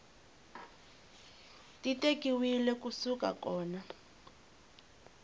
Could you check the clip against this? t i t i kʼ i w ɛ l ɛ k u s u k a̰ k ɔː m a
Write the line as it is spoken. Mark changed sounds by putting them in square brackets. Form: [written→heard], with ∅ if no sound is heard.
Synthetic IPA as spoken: t i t [i→e] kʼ i w [ɛ→i] l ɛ k u s u k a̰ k ɔː [m→n] a